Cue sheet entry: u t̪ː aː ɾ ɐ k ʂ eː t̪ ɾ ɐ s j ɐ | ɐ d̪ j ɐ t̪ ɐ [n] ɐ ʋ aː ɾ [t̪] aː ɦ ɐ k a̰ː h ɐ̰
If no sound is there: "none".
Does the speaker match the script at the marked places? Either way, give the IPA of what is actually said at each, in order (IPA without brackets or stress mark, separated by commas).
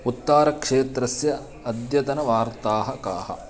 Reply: n, t̪